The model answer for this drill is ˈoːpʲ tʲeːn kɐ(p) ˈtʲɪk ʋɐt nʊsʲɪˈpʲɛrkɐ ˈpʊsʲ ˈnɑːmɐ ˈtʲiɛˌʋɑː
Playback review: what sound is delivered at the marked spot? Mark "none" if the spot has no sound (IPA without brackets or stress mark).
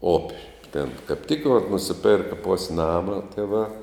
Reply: p